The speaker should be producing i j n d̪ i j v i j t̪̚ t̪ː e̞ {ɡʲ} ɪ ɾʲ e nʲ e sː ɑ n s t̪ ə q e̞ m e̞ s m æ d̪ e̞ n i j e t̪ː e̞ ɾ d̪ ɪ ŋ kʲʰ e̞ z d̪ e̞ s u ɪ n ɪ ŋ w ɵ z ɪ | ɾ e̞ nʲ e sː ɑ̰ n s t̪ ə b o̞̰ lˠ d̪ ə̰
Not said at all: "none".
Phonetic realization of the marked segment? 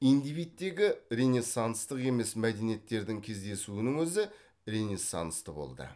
ɡʲ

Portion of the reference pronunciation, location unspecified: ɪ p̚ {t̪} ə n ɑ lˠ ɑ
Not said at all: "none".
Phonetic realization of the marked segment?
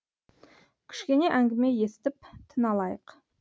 t̪ʰ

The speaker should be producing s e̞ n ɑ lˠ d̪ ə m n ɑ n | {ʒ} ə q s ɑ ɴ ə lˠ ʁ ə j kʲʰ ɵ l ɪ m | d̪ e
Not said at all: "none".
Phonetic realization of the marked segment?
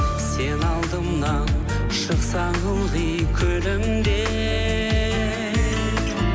ʃ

